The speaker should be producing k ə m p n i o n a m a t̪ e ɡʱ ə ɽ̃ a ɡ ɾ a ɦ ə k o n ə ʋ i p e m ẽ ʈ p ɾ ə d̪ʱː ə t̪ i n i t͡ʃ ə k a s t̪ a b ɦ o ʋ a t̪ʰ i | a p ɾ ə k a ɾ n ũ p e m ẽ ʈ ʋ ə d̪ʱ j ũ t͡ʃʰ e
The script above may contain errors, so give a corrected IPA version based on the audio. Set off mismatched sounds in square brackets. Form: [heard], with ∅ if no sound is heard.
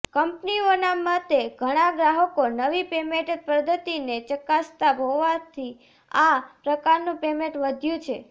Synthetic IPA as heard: k ə m p n i o n a m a t̪ e ɡʱ ə ɽ̃ a ɡ ɾ a ɦ ə k o n ə ʋ i p e m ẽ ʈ p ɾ ə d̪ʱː ə t̪ i n [e] t͡ʃ ə k a s t̪ a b ɦ o ʋ a t̪ʰ i | a p ɾ ə k a ɾ n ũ p e m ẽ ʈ ʋ ə d̪ʱ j ũ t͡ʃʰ e

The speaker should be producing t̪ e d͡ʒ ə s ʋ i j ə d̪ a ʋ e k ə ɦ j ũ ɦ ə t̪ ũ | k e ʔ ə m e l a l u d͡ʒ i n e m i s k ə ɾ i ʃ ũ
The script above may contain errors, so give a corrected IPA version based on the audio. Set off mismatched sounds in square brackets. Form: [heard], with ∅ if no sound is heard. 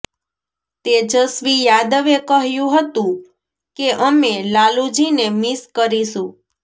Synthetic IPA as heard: t̪ e d͡ʒ ə s ʋ i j [a] d̪ [ə] ʋ e k ə ɦ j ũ ɦ ə t̪ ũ | k e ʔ ə m e l a l u d͡ʒ i n e m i s k ə ɾ i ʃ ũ

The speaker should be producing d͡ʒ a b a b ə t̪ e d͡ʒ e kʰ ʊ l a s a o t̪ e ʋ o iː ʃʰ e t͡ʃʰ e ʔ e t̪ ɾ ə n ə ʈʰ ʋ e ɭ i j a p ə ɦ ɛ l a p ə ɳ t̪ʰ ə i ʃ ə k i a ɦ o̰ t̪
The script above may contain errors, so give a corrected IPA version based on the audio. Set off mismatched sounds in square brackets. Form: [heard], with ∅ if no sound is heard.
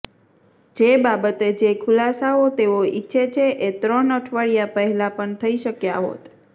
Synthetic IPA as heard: d͡ʒ [e] b a b ə t̪ e d͡ʒ e kʰ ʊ l a s a o t̪ e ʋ o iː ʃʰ e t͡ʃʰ e ʔ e t̪ ɾ ə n ə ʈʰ ʋ [a] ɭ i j a p ə ɦ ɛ l a p ə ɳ t̪ʰ ə i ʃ ə k [j] a ɦ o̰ t̪

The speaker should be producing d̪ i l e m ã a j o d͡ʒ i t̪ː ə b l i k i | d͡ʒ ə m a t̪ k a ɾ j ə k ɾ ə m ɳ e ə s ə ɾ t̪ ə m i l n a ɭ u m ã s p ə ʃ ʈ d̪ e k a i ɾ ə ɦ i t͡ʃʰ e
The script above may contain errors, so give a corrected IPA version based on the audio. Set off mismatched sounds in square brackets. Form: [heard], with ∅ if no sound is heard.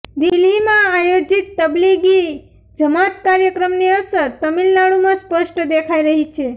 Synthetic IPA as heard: d̪ i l [i] m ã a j o d͡ʒ i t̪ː ə b l i [ɡ] i | d͡ʒ ə m a t̪ k a ɾ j ə k ɾ ə m [n] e ə s ə ɾ t̪ ə m i l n a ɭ u m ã s p ə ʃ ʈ d̪ e [kʰ] a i ɾ ə ɦ i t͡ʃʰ e

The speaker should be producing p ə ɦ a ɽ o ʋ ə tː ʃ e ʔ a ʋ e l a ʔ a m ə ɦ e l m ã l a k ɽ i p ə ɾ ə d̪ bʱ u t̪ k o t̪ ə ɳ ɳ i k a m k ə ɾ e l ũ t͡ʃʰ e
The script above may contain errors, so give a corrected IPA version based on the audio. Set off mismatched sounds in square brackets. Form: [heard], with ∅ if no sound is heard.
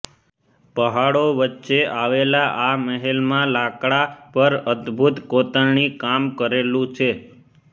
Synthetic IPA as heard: p ə ɦ a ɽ o ʋ ə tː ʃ e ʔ a ʋ e l a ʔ a m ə ɦ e l m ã l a k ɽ [a] p ə ɾ ə d̪ bʱ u t̪ k o t̪ ə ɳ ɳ i k a m k ə ɾ e l ũ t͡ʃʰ e

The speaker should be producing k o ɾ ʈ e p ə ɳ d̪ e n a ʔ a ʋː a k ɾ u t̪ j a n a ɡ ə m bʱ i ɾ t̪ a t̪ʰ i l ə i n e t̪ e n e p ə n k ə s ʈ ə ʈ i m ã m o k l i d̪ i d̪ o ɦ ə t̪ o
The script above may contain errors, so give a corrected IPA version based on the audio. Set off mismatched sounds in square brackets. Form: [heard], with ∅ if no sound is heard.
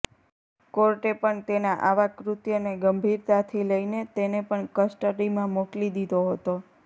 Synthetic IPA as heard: k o ɾ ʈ e p ə ɳ [t̪] e n a ʔ a [ʋ] a k ɾ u t̪ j [ə] n [e] ɡ ə m bʱ i ɾ t̪ a t̪ʰ i l ə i n e t̪ e n e p ə [ɳ] k ə s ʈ ə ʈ i m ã m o k l i d̪ i d̪ o ɦ ə t̪ o

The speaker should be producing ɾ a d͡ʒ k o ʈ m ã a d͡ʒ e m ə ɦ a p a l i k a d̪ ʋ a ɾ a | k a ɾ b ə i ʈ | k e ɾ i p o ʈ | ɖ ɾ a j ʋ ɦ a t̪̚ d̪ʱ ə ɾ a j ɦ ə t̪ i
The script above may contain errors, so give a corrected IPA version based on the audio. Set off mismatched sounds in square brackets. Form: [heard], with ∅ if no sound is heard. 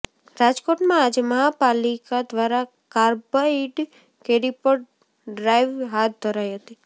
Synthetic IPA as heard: ɾ a d͡ʒ k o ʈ m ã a d͡ʒ e m ə ɦ a p a l i k a d̪ ʋ a ɾ a | k a ɾ b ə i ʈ | k e ɾ i p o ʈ | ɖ ɾ a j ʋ ɦ a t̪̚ d̪ʱ ə ɾ a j ɦ ə t̪ i

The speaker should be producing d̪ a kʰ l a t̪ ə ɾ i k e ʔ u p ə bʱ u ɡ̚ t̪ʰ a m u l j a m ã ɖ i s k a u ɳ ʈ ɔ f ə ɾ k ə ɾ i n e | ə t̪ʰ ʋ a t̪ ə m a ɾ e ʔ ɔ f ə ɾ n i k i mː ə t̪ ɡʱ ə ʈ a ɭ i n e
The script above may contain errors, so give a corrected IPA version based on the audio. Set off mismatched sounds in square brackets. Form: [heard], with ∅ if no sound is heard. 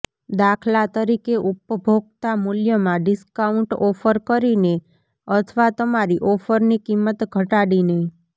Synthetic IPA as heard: d̪ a kʰ l a t̪ ə ɾ i k e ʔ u p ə bʱ [o] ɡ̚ [t̪] a m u l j [ə] m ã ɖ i s k a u ɳ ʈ ɔ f ə ɾ k ə ɾ i n e | ə t̪ʰ ʋ a t̪ ə m a ɾ [i] ʔ ɔ f ə ɾ n i k i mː ə t̪ ɡʱ ə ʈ a [ɽ] i n e

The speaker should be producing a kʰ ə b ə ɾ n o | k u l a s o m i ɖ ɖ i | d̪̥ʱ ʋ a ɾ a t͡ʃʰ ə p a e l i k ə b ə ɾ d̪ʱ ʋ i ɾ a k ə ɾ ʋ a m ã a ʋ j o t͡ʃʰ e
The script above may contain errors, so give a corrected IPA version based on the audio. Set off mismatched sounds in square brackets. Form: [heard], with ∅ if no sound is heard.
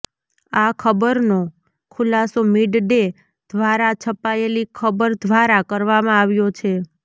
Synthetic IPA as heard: a kʰ ə b ə ɾ n o | [kʰ] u l a s o m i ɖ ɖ [e] | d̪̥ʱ ʋ a ɾ a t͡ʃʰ ə p a e l i [kʰ] ə b ə ɾ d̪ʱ ʋ [a] ɾ a k ə ɾ ʋ a m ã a ʋ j o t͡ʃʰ e

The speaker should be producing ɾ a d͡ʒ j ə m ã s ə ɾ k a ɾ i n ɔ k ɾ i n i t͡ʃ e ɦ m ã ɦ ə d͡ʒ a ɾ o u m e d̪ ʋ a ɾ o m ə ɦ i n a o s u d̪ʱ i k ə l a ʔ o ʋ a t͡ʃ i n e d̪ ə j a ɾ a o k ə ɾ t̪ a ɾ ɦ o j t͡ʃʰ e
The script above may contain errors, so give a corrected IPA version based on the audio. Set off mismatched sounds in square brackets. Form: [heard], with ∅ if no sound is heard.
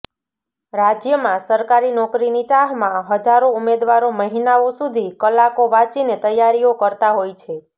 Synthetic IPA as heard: ɾ a d͡ʒ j ə m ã s ə ɾ k a ɾ i n ɔ k ɾ i n i t͡ʃ [a] ɦ m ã ɦ ə d͡ʒ a ɾ o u m e d̪ ʋ a ɾ o m ə ɦ i n a o s u d̪ʱ i k ə l a [k] o ʋ a t͡ʃ i n e [t̪] ə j a ɾ [i] o k ə ɾ t̪ a [∅] ɦ o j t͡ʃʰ e

